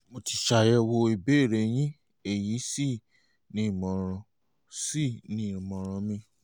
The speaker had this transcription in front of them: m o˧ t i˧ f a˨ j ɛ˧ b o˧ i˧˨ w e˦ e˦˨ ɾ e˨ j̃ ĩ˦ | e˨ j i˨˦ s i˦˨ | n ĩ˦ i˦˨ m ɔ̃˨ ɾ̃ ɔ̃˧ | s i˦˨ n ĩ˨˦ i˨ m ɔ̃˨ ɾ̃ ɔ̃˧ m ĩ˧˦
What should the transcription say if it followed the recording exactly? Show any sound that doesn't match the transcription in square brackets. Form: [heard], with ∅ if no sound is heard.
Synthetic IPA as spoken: m o˧ t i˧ [ʃ] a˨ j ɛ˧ [w] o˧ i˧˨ [b] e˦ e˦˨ ɾ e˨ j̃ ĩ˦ | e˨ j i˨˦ s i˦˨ | n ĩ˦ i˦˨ m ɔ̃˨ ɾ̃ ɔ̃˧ | s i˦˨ n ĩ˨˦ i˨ m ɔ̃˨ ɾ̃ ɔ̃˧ m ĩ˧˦

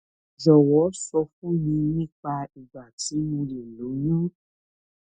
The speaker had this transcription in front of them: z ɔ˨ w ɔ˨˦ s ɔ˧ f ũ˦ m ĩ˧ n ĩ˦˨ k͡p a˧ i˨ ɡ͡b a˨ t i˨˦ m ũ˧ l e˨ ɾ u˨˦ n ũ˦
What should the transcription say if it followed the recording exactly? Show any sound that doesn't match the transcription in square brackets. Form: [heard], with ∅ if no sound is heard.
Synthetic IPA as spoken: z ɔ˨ w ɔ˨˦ s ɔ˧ f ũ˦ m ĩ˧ n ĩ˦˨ k͡p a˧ i˨ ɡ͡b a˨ t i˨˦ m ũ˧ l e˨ [l] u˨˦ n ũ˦

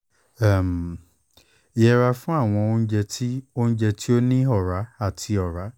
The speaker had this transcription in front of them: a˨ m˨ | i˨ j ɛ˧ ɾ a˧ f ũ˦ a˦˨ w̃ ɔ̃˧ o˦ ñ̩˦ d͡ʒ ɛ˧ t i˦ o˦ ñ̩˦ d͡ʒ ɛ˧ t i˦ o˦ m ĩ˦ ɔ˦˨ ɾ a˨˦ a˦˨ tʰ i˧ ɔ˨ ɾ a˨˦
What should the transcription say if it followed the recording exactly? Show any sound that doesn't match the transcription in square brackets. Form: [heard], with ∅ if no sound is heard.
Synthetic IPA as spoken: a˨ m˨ | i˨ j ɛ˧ ɾ a˧ f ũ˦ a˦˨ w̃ ɔ̃˧ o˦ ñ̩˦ d͡ʒ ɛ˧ t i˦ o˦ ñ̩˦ d͡ʒ ɛ˧ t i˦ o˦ [n] ĩ˦ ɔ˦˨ ɾ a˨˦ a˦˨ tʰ i˧ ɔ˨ ɾ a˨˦

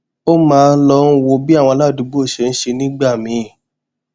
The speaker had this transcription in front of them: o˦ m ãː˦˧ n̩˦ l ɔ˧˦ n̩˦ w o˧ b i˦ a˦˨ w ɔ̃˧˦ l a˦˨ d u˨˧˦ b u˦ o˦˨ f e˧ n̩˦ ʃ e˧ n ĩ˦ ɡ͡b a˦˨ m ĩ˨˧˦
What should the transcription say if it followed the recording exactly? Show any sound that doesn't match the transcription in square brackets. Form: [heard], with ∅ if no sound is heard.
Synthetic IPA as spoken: o˦ m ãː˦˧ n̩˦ l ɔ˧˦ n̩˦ w o˧ b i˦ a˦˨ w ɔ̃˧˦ l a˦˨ d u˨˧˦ b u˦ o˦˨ [ʃ] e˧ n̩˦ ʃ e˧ n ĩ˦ ɡ͡b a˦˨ m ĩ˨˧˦

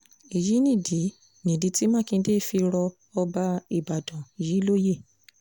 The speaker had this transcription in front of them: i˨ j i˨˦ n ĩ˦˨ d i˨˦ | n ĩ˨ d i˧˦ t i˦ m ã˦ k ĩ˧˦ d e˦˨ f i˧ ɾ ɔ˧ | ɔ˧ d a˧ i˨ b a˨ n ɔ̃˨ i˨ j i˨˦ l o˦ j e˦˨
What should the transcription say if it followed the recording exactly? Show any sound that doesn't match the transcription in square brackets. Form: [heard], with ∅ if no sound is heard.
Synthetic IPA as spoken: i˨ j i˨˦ n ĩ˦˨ d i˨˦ | n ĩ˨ d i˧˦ t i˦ m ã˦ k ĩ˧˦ d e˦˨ f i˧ ɾ ɔ˧ | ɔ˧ [b] a˧ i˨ b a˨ [d] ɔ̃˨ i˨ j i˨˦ l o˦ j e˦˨

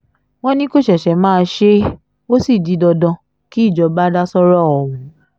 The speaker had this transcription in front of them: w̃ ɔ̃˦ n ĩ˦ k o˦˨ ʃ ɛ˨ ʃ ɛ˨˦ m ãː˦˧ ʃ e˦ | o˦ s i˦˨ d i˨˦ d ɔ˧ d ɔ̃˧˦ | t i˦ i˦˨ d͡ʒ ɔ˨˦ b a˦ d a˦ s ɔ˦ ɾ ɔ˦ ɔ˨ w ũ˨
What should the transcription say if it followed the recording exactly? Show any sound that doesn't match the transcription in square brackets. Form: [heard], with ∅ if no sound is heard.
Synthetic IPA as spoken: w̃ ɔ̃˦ n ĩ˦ k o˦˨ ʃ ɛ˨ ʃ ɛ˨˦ m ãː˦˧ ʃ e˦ | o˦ s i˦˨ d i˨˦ d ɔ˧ d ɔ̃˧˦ | [k] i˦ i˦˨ d͡ʒ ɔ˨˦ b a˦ d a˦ s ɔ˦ ɾ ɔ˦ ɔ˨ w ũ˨

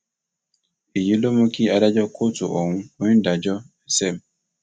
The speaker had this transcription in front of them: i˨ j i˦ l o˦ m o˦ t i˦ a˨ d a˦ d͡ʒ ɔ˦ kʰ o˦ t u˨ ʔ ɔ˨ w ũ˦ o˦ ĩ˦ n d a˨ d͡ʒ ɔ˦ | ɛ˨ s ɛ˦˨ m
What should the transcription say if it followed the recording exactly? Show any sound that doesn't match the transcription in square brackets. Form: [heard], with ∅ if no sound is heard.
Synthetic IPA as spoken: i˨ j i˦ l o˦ m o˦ [k] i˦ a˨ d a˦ d͡ʒ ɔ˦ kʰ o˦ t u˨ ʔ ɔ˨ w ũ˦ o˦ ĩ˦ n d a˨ d͡ʒ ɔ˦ | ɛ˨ s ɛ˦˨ m

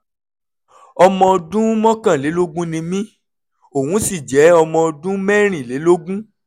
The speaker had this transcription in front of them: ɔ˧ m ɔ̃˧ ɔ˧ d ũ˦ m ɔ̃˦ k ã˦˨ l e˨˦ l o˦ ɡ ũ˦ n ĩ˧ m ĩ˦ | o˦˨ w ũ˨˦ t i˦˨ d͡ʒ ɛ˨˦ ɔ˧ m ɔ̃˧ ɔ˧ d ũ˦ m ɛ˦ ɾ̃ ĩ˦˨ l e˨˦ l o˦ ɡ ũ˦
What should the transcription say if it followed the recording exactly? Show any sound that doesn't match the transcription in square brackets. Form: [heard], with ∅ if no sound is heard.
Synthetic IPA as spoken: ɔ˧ m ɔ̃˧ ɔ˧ d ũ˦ m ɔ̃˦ k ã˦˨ l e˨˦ l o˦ ɡ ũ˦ n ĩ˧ m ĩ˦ | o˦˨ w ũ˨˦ [s] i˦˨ d͡ʒ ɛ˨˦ ɔ˧ m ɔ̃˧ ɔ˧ d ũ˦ m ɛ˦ ɾ̃ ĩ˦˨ l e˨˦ l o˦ ɡ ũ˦

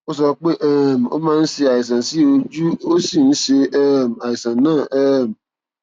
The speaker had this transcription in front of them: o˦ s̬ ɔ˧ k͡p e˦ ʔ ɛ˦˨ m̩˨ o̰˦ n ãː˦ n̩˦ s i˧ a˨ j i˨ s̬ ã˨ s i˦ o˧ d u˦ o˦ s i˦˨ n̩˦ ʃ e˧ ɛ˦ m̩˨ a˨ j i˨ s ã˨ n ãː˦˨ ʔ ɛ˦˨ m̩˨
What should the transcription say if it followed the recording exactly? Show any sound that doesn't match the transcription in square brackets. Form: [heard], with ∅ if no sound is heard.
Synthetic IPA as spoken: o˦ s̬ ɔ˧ k͡p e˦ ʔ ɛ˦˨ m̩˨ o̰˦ [m] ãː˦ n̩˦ s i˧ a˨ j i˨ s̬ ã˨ s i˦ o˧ [d͡ʒ] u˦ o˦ s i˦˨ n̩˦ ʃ e˧ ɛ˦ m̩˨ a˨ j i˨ s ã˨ n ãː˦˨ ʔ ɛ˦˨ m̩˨

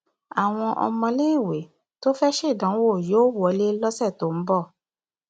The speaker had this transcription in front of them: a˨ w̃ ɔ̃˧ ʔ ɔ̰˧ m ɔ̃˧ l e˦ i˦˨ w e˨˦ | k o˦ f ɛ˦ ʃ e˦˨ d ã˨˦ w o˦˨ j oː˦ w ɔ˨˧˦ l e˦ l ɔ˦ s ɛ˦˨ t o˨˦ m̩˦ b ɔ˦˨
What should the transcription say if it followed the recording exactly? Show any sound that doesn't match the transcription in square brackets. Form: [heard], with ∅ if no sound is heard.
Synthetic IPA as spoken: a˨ w̃ ɔ̃˧ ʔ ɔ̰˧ m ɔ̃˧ l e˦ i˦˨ w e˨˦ | [t] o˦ f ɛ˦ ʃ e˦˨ d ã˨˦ w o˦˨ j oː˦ w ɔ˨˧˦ l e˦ l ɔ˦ s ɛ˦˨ t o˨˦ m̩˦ b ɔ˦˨

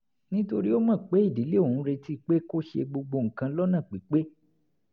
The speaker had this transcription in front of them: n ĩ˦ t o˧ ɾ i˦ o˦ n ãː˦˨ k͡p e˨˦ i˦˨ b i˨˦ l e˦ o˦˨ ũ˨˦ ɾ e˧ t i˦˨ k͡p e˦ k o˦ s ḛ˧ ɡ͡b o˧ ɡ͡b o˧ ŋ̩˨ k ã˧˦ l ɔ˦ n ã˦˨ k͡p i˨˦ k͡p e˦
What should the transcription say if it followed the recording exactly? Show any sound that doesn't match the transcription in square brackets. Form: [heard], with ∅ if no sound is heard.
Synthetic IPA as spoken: n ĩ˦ t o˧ ɾ i˦ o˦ [m] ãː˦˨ k͡p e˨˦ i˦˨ [d] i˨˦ l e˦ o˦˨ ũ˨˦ ɾ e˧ t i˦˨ k͡p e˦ k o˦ [ʃ] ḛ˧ ɡ͡b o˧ ɡ͡b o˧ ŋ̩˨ k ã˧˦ l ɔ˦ n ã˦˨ k͡p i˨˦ k͡p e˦

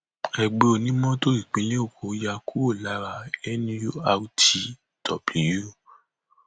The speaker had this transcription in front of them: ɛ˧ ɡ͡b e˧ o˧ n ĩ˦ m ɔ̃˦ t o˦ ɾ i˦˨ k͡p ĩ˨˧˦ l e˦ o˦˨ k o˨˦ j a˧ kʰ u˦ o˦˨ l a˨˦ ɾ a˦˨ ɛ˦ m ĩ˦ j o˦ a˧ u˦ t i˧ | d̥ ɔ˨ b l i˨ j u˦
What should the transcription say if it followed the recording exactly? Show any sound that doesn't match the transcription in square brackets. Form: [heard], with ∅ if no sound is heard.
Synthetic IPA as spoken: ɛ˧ ɡ͡b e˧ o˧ n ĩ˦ m ɔ̃˦ t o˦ ɾ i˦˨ k͡p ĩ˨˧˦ l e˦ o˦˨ k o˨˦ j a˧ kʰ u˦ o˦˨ l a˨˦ ɾ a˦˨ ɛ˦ [n] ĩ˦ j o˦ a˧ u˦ t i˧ | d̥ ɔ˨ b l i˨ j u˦

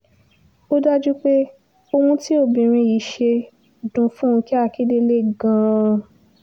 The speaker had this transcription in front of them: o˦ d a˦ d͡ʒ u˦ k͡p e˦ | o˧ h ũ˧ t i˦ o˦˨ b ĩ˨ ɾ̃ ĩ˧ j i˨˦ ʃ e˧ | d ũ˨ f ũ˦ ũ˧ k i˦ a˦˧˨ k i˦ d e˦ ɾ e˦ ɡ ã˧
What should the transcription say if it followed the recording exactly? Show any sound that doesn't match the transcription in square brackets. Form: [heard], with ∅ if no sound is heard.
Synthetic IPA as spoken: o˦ d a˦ d͡ʒ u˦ k͡p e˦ | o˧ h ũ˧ t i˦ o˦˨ b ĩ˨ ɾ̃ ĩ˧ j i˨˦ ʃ e˧ | d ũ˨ f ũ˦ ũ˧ k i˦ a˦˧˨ k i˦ d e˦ [l] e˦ ɡ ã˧

